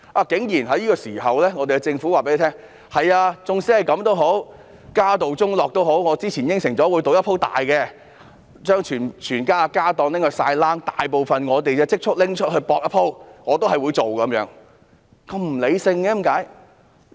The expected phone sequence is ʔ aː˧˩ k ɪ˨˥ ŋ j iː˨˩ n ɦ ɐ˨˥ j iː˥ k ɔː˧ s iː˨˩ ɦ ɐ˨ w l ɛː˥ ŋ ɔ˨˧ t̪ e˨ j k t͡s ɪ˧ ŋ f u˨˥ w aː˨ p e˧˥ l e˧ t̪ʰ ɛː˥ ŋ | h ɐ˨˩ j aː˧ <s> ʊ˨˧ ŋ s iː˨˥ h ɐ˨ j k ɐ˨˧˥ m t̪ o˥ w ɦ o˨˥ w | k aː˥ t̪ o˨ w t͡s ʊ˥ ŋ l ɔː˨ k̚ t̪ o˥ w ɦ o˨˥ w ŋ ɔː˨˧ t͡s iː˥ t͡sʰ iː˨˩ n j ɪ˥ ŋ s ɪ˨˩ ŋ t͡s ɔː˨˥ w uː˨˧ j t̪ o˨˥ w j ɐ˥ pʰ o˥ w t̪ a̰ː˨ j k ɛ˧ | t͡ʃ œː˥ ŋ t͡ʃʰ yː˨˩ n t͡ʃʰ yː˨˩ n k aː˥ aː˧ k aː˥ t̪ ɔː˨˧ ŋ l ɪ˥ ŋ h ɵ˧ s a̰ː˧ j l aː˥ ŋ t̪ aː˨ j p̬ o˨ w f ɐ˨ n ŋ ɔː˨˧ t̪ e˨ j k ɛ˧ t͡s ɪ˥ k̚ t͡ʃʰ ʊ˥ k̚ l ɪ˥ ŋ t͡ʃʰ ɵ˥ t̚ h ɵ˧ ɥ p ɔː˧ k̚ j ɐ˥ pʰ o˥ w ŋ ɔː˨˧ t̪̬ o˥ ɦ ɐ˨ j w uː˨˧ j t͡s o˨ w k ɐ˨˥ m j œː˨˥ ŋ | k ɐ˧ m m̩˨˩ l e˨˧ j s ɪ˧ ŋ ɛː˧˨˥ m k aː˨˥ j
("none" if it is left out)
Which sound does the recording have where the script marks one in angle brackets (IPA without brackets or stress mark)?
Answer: t͡s